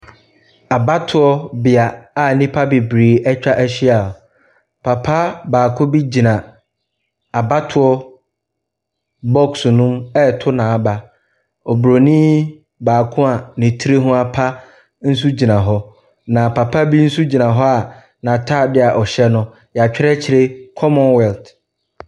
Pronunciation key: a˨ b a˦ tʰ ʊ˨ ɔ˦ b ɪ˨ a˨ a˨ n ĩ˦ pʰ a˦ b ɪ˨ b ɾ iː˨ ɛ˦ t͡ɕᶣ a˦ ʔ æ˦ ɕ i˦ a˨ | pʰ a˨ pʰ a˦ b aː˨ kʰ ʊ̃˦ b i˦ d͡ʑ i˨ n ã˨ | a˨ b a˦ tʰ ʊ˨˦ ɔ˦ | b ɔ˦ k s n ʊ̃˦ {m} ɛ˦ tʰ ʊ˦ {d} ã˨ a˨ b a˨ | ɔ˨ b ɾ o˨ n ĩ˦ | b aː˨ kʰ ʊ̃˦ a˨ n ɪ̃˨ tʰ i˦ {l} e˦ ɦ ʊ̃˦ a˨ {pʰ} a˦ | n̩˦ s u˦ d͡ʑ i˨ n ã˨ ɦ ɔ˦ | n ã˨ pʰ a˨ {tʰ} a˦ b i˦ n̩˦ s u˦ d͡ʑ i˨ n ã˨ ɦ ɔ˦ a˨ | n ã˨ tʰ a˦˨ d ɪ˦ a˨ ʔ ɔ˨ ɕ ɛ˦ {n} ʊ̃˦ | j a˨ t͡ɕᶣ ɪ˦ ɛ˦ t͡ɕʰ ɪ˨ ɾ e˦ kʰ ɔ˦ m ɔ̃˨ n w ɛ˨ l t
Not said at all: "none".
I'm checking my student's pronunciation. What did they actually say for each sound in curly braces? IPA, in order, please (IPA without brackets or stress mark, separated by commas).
m, n, ɾ, pʰ, pʰ, n